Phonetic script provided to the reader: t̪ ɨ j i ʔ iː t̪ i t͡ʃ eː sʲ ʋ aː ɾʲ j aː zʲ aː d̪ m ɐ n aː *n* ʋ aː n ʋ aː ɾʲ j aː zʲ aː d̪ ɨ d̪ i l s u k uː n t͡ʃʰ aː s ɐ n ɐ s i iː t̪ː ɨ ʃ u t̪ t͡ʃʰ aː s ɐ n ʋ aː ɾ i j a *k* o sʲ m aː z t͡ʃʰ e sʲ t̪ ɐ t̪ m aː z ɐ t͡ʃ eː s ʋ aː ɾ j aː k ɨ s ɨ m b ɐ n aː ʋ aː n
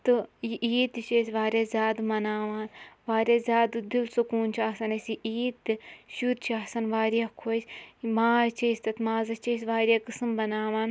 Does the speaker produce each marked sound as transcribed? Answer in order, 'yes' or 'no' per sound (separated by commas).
no, no